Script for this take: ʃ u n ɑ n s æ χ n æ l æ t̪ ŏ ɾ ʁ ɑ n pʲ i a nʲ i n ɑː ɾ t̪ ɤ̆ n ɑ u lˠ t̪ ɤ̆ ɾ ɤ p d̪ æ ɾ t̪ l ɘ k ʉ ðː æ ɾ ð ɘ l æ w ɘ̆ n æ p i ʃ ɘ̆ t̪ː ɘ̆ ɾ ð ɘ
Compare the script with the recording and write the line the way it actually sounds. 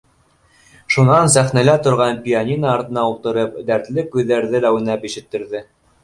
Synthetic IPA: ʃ u n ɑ n s æ χ n æ l æ t̪ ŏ ɾ ʁ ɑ n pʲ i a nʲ i n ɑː ɾ t̪ ɤ̆ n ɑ u lˠ t̪ ɤ̆ ɾ ɤ p d̪ æ ɾ t̪ l ɘ k ʉ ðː æ ɾ ð ɘ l æ w ɘ̆ n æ p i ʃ ɘ̆ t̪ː ɘ̆ ɾ ð ɘ